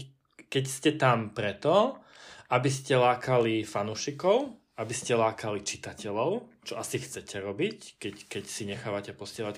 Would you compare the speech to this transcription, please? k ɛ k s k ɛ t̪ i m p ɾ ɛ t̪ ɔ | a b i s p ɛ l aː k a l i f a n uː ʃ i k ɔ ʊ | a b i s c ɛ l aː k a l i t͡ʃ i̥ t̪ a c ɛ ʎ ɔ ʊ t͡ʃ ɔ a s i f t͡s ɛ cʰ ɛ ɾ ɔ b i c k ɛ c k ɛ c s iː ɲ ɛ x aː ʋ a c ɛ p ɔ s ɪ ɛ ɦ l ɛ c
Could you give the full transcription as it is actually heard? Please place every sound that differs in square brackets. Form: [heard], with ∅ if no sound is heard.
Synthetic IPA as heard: k ɛ [c] s [c] ɛ t̪ [a] m p ɾ ɛ t̪ ɔ | a b i s [c] ɛ l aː k a l i f a n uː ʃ i k ɔ ʊ | a b i s c ɛ l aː k a l i t͡ʃ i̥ t̪ a c ɛ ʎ ɔ ʊ t͡ʃ ɔ a s i [x] t͡s ɛ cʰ ɛ ɾ ɔ b i c k ɛ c k ɛ c s [i] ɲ ɛ x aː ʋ a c ɛ p ɔ s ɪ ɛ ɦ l [a] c